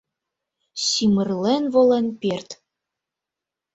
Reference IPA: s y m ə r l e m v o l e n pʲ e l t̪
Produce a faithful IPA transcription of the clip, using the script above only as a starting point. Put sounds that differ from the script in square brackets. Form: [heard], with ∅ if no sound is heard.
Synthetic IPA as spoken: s [i] m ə r l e [n] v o l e n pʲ e [r] t̪